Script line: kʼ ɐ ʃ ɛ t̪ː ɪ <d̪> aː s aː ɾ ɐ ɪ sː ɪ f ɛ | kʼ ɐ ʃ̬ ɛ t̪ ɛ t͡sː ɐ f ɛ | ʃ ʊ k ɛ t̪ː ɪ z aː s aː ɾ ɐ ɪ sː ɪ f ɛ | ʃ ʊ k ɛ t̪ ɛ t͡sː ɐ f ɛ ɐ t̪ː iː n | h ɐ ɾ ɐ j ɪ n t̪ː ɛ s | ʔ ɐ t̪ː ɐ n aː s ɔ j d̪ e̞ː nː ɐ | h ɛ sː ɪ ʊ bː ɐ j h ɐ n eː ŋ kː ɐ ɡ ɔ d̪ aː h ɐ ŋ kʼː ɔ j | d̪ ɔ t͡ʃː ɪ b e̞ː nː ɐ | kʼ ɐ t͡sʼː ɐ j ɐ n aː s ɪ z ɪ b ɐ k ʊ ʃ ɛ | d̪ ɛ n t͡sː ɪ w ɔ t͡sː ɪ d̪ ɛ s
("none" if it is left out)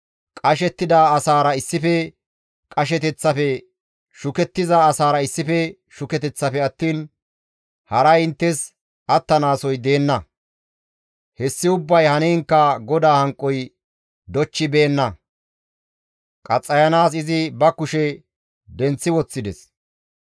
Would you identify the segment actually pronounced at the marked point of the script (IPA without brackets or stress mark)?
d̪